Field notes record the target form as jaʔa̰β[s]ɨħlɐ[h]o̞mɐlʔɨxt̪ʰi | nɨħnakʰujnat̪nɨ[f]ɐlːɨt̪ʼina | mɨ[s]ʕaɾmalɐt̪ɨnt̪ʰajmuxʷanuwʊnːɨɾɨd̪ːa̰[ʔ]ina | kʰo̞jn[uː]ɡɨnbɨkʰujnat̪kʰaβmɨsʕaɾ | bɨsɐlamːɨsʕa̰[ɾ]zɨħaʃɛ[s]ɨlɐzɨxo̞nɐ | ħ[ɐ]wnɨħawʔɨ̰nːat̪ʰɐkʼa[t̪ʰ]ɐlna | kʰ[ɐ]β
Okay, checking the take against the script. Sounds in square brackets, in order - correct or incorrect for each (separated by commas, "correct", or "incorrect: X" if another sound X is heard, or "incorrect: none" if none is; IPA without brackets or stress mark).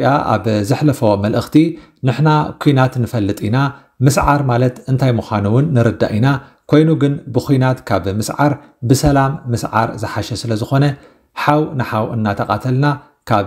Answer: incorrect: z, incorrect: f, correct, correct, correct, incorrect: u, correct, correct, incorrect: a, correct, incorrect: a